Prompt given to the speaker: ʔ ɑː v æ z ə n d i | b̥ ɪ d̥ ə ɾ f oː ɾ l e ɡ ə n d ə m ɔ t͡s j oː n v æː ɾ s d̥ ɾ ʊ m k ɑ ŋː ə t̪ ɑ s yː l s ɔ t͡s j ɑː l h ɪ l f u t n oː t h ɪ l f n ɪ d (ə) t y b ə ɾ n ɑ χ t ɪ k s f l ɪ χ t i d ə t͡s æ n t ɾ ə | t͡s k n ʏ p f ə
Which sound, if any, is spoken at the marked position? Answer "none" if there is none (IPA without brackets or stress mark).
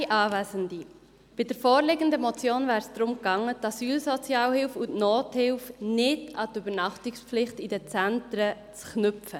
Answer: ɑ